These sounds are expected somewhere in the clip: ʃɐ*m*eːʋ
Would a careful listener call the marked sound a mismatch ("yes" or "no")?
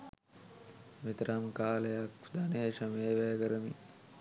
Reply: no